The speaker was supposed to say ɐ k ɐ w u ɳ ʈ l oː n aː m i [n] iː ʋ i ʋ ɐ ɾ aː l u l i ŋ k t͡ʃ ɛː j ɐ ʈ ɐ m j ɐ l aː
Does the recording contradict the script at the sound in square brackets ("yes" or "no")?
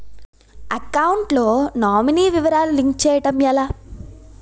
no